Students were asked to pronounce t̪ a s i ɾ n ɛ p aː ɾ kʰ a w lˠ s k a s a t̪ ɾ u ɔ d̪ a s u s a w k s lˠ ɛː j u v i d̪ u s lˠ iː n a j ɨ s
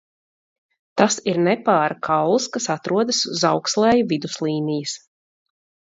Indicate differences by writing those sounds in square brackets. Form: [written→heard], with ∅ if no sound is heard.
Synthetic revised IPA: t̪ a s i ɾ n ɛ p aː ɾ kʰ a w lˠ s k a s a t̪ ɾ u ɔ d̪ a s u [s→z] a w k s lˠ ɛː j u v i d̪ u s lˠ iː n [a→i] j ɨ s